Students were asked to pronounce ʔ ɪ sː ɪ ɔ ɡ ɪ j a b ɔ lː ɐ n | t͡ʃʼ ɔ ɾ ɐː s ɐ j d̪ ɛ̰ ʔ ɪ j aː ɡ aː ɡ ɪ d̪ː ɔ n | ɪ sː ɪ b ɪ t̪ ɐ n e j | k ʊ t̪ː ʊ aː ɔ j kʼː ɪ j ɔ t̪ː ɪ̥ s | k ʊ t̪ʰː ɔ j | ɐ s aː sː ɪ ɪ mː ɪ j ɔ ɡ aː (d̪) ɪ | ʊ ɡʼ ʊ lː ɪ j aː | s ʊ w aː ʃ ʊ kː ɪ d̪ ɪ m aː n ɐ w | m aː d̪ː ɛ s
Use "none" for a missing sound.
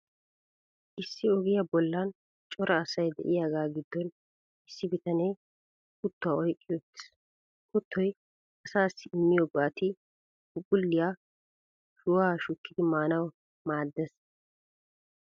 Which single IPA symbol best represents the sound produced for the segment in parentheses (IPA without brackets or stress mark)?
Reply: t̪